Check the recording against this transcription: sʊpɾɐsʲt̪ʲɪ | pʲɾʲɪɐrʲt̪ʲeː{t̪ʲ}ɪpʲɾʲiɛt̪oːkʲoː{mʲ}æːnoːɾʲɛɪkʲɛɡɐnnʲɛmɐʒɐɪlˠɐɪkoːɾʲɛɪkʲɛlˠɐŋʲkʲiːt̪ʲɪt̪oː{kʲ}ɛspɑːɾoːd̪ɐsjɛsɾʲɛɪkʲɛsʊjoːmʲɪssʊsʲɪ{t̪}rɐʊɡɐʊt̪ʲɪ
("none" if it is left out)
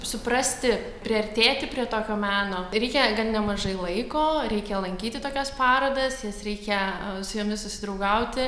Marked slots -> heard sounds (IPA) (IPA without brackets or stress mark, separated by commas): t̪ʲ, mʲ, kʲ, d̪